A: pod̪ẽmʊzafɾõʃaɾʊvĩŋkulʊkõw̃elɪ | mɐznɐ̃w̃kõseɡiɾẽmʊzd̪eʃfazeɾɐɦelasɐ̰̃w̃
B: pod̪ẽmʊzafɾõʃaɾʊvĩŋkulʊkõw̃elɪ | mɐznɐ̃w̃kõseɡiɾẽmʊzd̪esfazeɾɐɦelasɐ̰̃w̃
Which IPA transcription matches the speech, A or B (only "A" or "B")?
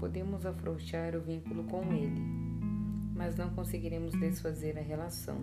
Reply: B